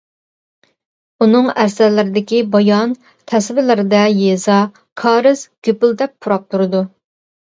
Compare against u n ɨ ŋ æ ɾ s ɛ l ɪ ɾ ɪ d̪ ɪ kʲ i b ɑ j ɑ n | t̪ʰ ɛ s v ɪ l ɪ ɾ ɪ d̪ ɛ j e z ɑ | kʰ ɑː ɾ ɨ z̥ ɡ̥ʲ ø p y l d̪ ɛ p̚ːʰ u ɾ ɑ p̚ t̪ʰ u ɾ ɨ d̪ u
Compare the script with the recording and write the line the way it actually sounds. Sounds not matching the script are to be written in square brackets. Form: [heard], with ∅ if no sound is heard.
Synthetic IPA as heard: u n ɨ ŋ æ ɾ s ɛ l ɪ ɾ ɪ d̪ ɪ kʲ i b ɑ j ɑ n | t̪ʰ ɛ s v ɪ l ɪ ɾ ɪ d̪ ɛ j e z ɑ | kʰ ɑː ɾ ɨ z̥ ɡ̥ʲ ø p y l d̪ ɛ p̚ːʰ u ɾ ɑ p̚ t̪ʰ u ɾ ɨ d̪ u